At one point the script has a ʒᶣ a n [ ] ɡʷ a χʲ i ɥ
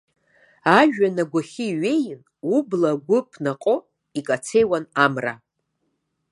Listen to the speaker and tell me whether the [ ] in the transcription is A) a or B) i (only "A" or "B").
A